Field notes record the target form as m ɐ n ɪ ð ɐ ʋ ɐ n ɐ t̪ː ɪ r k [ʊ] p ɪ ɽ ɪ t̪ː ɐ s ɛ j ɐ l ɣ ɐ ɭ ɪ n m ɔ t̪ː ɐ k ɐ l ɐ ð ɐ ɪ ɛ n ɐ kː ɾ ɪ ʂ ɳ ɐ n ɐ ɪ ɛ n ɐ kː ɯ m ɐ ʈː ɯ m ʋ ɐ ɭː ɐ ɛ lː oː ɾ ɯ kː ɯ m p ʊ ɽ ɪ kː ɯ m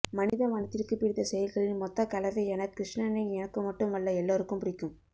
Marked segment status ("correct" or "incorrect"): incorrect